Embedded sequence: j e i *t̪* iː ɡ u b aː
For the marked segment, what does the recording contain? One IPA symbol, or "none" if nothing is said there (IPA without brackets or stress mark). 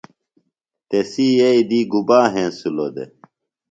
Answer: d̪